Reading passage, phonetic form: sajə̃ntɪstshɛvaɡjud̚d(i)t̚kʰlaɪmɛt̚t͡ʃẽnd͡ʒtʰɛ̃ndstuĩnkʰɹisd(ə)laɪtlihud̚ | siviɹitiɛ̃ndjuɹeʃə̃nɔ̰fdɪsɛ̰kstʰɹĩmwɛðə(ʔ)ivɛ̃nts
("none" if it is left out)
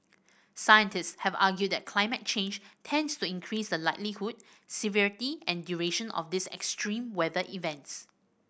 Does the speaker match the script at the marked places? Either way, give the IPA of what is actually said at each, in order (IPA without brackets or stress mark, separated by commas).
ɛ, ə, ʔ